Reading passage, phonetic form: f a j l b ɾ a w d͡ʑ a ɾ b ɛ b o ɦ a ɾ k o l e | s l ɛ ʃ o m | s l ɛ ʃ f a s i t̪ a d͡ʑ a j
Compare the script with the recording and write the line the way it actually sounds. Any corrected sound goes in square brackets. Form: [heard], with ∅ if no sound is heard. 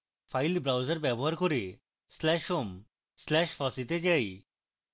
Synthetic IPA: f a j l b ɾ a w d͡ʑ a ɾ b ɛ b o ɦ a ɾ k o [ɾ] e | s l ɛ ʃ o m | s l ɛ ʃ f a s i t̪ [e] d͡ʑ a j